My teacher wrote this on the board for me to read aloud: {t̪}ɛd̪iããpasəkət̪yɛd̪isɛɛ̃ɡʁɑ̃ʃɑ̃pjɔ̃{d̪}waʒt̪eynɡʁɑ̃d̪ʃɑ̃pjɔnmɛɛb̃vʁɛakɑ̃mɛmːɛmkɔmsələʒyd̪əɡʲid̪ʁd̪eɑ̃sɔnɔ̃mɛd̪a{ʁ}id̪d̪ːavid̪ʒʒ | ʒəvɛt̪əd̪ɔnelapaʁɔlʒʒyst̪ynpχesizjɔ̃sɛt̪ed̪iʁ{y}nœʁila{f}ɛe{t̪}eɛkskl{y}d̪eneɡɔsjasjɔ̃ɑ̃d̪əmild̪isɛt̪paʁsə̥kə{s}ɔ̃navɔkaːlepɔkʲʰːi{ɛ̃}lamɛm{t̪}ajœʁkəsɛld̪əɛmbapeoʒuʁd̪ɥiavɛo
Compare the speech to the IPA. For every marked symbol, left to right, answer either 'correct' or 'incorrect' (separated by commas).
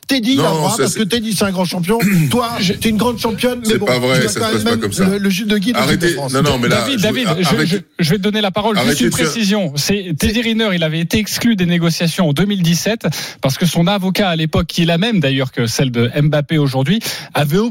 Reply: correct, incorrect, incorrect, incorrect, incorrect, correct, correct, correct, incorrect, incorrect